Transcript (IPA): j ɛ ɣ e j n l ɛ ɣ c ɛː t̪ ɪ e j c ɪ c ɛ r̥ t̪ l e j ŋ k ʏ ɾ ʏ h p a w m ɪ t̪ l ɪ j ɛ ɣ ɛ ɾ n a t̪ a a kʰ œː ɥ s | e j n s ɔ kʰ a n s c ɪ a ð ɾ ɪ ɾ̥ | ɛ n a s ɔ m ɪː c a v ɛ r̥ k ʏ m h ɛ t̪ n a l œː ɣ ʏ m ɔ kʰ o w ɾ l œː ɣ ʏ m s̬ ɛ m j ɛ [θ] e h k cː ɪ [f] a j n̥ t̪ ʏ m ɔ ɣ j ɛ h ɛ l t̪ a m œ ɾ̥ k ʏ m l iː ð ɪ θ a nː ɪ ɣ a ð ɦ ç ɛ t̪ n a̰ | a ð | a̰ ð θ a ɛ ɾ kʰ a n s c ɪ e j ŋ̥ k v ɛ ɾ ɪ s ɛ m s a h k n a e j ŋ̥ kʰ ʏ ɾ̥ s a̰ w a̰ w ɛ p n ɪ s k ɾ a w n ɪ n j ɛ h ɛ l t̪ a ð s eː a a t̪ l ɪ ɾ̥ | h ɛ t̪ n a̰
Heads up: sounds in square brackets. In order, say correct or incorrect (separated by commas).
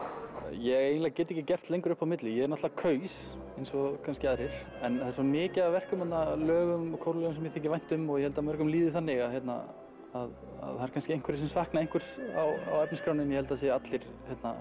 correct, incorrect